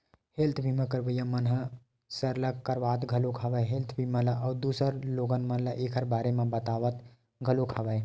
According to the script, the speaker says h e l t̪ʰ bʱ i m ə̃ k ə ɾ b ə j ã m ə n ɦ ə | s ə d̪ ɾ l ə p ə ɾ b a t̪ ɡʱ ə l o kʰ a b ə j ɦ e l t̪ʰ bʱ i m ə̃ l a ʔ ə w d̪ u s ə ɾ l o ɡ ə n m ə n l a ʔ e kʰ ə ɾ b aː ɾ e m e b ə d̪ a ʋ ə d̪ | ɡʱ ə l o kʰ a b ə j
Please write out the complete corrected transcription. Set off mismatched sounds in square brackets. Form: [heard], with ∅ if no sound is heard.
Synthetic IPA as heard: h e l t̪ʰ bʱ i m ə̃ k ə ɾ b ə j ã m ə n ɦ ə | s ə [∅] ɾ l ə [k] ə ɾ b a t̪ ɡʱ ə l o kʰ a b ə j ɦ e l t̪ʰ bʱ i m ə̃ l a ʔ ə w d̪ u s ə ɾ l o ɡ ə n m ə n l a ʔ e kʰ ə ɾ b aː ɾ e m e b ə [t̪] a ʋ ə [t̪] | ɡʱ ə l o kʰ a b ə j

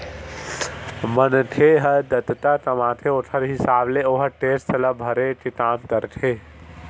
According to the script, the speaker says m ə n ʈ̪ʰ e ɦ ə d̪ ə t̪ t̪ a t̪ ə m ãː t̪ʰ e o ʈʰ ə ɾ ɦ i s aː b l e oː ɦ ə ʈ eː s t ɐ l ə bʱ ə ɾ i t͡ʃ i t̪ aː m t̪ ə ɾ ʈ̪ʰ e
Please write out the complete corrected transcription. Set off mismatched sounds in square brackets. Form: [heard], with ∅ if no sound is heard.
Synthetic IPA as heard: m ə n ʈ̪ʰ e ɦ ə d̪ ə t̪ t̪ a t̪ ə m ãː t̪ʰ e o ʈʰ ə ɾ ɦ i s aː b l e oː ɦ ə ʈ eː s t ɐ l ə bʱ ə ɾ [e] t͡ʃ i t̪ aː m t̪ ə ɾ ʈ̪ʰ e

